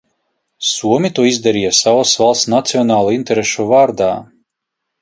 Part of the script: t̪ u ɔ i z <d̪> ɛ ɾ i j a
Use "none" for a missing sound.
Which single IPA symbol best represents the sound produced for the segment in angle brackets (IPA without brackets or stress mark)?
d̪